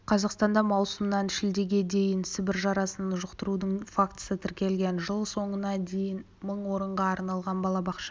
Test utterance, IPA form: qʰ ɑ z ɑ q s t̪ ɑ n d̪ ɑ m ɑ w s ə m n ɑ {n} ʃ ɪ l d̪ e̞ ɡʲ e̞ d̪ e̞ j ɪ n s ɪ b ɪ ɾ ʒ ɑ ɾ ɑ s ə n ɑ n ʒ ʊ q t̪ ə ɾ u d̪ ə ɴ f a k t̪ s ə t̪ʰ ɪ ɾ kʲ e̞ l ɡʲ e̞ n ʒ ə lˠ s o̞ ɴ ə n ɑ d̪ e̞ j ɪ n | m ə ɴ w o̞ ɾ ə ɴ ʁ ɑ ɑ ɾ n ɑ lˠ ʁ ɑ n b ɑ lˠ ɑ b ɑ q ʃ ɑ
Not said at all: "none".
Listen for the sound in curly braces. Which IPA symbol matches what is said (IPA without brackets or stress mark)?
n